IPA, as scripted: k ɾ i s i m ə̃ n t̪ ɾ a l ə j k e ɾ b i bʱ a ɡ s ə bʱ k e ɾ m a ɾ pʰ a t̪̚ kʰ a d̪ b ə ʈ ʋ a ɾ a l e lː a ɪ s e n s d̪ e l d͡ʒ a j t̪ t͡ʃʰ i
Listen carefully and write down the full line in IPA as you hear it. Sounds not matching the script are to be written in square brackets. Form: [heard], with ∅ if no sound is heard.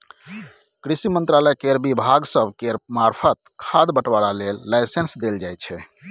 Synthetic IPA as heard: k ɾ i s i m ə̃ n t̪ ɾ a l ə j k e ɾ b i bʱ a ɡ s ə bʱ k e ɾ m a ɾ pʰ [ə] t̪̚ kʰ a d̪ b ə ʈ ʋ a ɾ a l e lː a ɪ s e n s d̪ e l d͡ʒ a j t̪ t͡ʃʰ [ɛ]